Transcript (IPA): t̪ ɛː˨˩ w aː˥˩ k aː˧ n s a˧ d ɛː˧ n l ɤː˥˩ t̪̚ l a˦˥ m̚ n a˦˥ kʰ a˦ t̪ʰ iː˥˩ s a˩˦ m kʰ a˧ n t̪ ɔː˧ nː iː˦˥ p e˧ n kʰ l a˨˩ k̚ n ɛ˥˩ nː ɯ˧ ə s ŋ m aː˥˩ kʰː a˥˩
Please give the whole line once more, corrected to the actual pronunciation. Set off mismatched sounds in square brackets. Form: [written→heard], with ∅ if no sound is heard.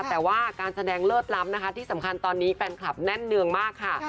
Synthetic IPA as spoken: t̪ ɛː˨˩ w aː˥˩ k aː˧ n s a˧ d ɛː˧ [n→ŋ] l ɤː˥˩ t̪̚ l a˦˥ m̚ n a˦˥ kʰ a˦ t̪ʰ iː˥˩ s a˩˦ m kʰ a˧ n t̪ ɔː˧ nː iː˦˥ p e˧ n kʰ l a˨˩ [k̚→p̚] n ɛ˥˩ nː ɯ˧ ə [s→∅] ŋ m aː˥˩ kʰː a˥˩